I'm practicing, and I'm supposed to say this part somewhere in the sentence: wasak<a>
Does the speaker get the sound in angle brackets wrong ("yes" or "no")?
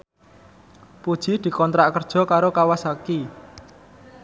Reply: yes